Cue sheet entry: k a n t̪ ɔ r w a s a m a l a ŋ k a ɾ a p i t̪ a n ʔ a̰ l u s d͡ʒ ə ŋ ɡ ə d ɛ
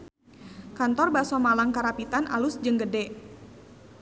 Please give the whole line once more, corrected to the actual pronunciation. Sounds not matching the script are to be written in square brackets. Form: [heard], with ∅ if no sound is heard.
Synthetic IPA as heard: k a n t̪ ɔ r [b] a s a m a l a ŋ k a ɾ a p i t̪ a n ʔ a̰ l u s d͡ʒ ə ŋ ɡ ə d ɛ